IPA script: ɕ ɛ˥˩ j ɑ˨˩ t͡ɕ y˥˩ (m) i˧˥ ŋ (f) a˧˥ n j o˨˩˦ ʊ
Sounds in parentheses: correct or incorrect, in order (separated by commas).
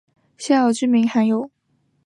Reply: correct, incorrect